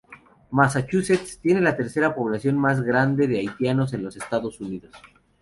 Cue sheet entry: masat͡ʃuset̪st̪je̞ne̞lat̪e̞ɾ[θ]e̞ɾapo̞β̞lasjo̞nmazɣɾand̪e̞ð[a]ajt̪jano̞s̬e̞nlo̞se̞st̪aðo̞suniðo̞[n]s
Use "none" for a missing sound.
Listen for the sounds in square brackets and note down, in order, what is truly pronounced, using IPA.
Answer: s, e, none

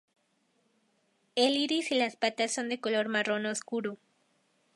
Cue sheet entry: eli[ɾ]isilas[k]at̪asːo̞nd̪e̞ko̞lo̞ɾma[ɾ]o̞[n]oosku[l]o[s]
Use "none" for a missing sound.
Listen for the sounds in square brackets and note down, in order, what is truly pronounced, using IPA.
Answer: ɾ, p, r, n, ɾ, none

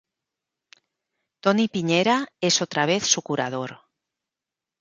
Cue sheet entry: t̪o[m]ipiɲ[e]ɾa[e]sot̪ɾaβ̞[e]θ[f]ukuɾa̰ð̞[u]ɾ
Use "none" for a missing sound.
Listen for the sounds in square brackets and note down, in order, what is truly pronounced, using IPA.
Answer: n, e, e, e, s, o

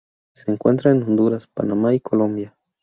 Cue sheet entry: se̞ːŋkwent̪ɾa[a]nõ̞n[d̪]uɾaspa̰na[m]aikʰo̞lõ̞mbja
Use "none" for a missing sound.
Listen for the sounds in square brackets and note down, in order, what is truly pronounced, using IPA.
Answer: e, d̪, m

